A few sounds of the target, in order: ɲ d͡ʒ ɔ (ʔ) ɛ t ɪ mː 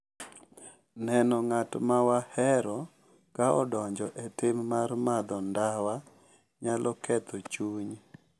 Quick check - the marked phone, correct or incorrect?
correct